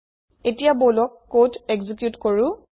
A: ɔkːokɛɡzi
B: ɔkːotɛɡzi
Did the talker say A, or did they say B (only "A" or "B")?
B